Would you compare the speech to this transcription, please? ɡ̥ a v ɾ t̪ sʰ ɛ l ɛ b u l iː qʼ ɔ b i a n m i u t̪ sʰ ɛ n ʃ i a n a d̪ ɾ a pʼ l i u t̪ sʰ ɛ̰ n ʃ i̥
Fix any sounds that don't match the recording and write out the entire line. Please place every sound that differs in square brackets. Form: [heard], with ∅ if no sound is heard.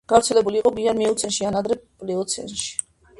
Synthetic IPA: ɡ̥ a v ɾ t̪ sʰ ɛ l ɛ b u l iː qʼ ɔ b i a n m i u t̪ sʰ ɛ n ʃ i a n a d̪ ɾ [ɛ] pʼ l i [ɔ] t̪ sʰ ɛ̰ n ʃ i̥